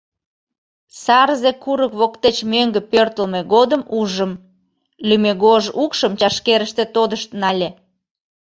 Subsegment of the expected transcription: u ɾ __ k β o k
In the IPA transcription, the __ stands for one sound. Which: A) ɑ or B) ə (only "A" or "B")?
B